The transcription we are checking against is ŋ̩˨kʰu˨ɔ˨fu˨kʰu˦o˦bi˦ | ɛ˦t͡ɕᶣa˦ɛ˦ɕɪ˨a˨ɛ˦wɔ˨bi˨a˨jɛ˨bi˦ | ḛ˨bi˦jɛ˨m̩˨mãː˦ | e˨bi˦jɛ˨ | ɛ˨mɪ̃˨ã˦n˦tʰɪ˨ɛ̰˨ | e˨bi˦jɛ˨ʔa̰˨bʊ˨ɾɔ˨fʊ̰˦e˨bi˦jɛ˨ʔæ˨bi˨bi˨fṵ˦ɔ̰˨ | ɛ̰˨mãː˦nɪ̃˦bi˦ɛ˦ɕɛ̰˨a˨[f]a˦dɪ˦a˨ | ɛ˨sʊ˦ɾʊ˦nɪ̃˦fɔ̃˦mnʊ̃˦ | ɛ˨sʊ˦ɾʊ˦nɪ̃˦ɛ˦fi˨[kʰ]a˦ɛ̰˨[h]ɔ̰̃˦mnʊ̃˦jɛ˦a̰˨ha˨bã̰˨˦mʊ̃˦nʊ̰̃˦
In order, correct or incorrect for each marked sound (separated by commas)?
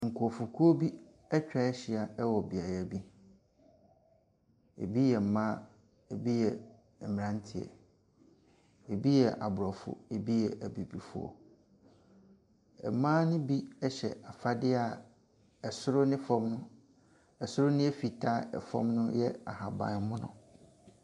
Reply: correct, incorrect, incorrect